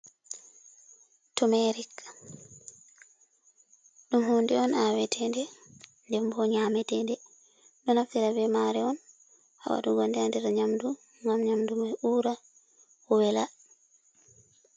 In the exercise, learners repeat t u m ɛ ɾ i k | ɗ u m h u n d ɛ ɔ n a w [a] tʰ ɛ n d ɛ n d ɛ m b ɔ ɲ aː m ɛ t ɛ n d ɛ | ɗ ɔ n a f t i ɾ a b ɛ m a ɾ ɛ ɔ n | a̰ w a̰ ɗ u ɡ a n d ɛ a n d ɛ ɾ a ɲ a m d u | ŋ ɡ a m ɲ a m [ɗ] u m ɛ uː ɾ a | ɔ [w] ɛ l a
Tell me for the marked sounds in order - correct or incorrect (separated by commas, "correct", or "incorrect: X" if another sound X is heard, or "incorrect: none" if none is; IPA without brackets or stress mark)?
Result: incorrect: ɛ, incorrect: d, correct